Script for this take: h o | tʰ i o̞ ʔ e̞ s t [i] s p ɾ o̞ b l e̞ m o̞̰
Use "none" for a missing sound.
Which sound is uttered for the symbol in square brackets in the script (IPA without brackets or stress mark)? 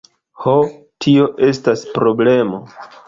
a